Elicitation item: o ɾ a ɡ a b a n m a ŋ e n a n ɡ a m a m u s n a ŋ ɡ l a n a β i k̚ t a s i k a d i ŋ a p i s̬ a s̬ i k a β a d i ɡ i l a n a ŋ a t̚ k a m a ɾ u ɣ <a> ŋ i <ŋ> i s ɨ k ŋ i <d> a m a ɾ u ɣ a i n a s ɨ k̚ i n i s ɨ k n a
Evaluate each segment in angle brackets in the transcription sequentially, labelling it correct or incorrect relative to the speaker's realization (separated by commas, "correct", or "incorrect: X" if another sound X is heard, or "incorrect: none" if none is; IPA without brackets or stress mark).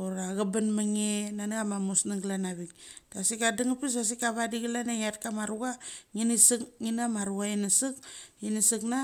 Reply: correct, incorrect: n, incorrect: n